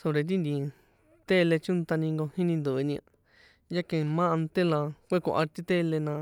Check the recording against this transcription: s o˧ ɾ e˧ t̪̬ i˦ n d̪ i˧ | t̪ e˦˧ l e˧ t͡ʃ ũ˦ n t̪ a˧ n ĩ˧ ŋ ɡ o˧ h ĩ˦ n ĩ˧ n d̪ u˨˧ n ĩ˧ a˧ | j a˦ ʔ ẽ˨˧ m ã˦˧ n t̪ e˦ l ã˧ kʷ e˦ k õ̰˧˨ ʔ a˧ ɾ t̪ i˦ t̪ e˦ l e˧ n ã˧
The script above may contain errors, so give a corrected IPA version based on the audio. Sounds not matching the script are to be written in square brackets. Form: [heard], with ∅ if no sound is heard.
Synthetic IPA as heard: s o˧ ɾ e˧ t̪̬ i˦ n d̪ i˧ | t̪ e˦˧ l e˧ t͡ʃ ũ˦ n t̪ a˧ n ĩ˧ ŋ ɡ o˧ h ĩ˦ n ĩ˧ n d̪ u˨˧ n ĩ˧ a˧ | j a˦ [k] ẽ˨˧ m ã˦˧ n t̪ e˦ l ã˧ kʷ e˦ k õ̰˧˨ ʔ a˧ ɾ t̪ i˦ t̪ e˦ l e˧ n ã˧